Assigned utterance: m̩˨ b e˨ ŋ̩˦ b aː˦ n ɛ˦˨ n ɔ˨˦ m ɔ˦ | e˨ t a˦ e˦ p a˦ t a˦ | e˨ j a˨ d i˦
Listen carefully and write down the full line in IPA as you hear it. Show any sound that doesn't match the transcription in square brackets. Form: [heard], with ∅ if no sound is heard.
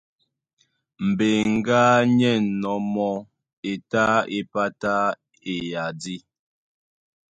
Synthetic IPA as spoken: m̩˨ b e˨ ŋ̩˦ [ɡ] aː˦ [ɲ] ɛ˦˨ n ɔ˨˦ m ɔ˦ | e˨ t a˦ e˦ p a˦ t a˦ | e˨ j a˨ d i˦